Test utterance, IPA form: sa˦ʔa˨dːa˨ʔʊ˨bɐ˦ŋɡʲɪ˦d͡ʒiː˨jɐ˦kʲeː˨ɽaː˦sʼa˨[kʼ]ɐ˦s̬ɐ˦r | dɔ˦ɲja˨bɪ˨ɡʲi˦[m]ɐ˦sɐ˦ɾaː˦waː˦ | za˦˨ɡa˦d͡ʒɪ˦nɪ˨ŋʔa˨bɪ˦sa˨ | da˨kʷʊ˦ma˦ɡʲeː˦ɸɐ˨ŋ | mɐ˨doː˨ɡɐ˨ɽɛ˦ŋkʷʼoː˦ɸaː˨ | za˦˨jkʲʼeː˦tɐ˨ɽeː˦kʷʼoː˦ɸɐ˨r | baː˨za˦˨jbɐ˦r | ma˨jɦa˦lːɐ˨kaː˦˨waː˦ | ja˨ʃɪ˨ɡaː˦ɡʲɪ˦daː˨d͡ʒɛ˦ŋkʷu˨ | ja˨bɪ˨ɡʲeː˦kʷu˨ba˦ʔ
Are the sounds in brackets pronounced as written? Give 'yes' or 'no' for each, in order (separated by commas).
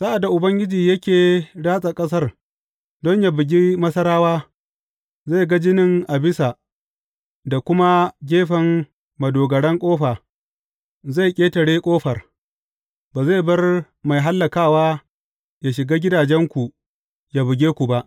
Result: yes, yes